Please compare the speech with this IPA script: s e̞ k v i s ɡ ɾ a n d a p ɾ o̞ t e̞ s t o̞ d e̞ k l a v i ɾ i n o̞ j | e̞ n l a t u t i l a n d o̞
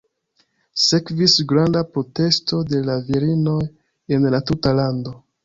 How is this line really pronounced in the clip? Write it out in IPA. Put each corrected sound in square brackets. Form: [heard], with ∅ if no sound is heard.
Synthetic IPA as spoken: s e̞ k v i s ɡ ɾ a n d a p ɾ o̞ t e̞ s t o̞ d e̞ [∅] l a v i ɾ i n o̞ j | e̞ n l a t u t [a] l a n d o̞